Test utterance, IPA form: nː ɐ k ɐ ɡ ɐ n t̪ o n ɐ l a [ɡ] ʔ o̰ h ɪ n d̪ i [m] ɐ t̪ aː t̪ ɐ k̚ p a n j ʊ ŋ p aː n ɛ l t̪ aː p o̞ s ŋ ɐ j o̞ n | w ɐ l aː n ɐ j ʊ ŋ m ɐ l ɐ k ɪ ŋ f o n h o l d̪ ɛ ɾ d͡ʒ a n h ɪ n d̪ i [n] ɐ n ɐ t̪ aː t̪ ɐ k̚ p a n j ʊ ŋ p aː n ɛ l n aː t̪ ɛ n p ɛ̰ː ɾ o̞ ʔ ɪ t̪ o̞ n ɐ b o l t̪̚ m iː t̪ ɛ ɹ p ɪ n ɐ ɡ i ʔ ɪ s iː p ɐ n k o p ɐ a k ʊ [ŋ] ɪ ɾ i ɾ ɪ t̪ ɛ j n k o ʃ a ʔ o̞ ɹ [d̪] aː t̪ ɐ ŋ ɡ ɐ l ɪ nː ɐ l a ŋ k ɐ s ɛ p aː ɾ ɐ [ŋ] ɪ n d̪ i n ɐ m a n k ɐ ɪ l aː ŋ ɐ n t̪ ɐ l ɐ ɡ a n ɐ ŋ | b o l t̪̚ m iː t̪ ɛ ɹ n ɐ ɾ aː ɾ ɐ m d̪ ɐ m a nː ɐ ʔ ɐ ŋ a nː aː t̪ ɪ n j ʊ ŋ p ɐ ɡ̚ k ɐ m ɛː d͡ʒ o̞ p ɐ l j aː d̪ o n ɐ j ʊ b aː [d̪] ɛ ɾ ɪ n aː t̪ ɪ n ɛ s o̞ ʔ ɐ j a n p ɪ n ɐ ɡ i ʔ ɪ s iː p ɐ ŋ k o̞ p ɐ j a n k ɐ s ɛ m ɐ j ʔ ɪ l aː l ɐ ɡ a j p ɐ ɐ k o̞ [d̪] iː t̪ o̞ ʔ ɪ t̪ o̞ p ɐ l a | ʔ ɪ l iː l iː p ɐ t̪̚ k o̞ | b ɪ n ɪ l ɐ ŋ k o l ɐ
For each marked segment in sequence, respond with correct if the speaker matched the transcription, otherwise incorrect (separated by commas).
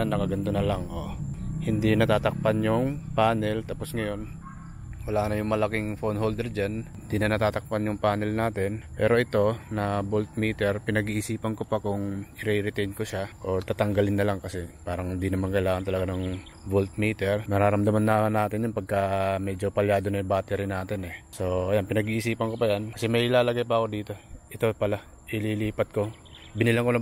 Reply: incorrect, incorrect, correct, correct, incorrect, correct, incorrect, correct